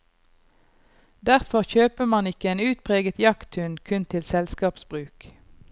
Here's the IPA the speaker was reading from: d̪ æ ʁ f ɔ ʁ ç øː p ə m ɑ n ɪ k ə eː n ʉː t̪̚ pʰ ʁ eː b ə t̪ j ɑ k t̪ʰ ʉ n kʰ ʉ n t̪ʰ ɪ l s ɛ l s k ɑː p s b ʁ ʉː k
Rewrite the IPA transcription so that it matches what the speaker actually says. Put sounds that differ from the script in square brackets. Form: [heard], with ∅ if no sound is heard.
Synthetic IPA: d̪ æ ʁ f ɔ ʁ ç øː p ə m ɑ n ɪ k ə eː n ʉː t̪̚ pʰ ʁ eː [ɡ] ə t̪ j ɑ k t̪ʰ ʉ n kʰ ʉ n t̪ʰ ɪ l s ɛ l s k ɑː p s b ʁ ʉː k

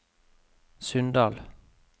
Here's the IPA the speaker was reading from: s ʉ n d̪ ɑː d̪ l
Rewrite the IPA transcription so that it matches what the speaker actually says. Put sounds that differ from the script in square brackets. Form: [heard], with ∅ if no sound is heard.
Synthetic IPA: s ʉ n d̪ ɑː [∅] l

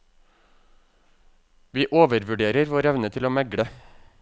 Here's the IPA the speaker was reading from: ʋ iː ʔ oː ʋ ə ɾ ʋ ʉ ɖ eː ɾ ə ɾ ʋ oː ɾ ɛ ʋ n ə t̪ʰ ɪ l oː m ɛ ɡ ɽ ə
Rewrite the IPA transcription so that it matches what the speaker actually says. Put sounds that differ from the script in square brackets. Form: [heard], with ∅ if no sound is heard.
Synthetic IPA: ʋ iː ʔ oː ʋ ə ɾ ʋ ʉ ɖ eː ɾ ə ɾ ʋ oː ɾ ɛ ʋ n ə t̪ʰ ɪ l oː m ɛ ɡ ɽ ə

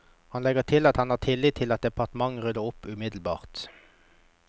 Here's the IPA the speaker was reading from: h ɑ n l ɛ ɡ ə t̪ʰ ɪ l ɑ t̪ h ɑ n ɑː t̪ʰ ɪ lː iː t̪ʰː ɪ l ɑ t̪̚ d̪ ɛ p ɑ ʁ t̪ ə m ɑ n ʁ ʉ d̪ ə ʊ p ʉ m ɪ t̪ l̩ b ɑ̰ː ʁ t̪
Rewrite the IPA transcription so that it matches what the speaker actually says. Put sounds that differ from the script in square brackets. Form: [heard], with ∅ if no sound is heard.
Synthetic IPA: h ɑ n l ɛ ɡ ə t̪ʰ ɪ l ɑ t̪ h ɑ n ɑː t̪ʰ ɪ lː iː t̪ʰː ɪ l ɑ t̪̚ d̪ ɛ p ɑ ʁ t̪ ə m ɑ [ŋ] ʁ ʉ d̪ ə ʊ p ʉ m ɪ [d̪] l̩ b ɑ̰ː ʁ t̪

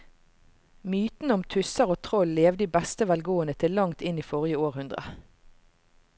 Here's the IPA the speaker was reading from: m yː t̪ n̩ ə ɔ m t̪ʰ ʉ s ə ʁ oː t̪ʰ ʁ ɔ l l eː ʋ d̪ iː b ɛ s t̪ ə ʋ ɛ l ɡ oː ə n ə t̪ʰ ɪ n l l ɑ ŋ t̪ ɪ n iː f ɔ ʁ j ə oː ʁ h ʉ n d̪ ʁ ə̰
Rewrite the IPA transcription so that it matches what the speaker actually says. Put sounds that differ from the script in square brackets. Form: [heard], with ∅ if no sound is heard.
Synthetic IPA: m yː t̪ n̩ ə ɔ m t̪ʰ ʉ s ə ʁ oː t̪ʰ ʁ ɔ l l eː ʋ d̪ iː b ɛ s t̪ ə ʋ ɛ l ɡ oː ə n ə t̪ʰ ɪ [∅] l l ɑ ŋ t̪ ɪ n iː f ɔ ʁ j ə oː ʁ h ʉ n d̪ ʁ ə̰

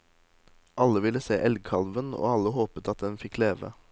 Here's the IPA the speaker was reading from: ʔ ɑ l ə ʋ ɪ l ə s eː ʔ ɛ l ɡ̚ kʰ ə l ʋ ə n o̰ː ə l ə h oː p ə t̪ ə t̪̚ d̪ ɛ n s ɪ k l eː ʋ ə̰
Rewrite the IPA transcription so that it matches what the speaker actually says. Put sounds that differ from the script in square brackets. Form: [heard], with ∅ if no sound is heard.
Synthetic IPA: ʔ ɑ l ə ʋ ɪ l ə s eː ʔ ɛ l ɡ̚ kʰ [ɑ] l ʋ ə n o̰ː [ɑ] l ə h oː p ə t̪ [ɑ] t̪̚ d̪ ɛ n [f] ɪ k l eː ʋ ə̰

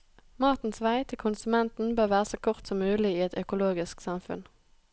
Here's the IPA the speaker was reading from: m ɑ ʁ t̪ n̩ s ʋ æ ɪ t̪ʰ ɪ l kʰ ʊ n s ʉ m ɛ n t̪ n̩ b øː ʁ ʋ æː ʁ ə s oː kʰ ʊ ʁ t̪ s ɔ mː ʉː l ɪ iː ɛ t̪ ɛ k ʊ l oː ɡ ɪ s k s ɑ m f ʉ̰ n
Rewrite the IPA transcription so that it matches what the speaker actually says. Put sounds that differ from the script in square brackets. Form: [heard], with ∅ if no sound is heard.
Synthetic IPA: m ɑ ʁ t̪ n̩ s ʋ æ ɪ t̪ʰ ɪ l kʰ ʊ n s ʉ m ɛ n t̪ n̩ b øː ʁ ʋ æː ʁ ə s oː kʰ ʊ ʁ t̪ s ɔ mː ʉː l ɪ iː ɛ t̪ [œ] k ʊ l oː ɡ ɪ s k s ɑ m f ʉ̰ n

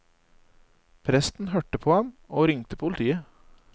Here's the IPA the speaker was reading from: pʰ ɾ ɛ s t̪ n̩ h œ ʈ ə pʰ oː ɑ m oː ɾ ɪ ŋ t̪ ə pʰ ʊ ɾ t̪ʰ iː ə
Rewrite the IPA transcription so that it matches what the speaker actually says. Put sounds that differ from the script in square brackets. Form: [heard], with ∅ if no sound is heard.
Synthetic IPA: pʰ ɾ ɛ s t̪ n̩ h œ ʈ ə pʰ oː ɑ m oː ɾ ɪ ŋ t̪ ə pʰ ʊ [l] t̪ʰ iː ə

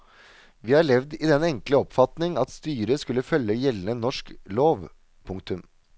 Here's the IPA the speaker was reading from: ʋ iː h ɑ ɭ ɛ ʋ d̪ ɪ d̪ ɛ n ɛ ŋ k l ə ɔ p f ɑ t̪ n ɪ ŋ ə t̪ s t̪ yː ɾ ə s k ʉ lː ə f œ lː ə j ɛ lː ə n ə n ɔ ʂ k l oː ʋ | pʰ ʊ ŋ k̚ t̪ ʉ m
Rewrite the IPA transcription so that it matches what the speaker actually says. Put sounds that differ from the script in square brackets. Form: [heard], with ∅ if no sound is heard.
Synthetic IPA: ʋ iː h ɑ ɭ ɛ ʋ d̪ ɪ d̪ ɛ n ɛ ŋ k l ə ɔ p f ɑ t̪ n ɪ ŋ [ɑ] t̪ s t̪ yː ɾ ə s k ʉ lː ə f œ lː ə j ɛ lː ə n ə n ɔ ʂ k l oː ʋ | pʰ ʊ ŋ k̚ t̪ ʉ m

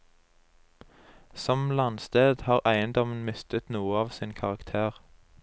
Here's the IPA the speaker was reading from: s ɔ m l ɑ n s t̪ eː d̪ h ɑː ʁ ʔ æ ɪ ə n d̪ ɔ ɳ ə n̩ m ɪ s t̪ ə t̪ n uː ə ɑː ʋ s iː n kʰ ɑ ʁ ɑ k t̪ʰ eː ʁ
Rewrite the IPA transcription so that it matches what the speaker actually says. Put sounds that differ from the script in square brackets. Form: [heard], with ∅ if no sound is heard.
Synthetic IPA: s ɔ m l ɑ n s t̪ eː d̪ h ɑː ʁ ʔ æ ɪ ə n d̪ ɔ [m] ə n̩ m ɪ s t̪ ə t̪ n uː ə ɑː ʋ s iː n kʰ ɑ ʁ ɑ k t̪ʰ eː ʁ

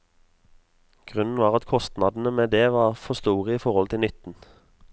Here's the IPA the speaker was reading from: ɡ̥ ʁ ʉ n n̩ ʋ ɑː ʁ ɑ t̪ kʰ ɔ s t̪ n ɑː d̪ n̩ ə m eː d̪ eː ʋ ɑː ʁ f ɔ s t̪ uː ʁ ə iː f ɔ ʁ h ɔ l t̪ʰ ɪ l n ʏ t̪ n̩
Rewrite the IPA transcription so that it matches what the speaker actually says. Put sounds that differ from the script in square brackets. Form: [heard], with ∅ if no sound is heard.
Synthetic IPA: ɡ̥ ʁ ʉ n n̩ ʋ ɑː ʁ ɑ t̪ kʰ ɔ s t̪ n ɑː d̪ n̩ ə m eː d̪ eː ʋ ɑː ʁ f ɔ s t̪ uː ʁ ə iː f ɔ ʁ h ɔ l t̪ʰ ɪ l n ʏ t̪ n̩

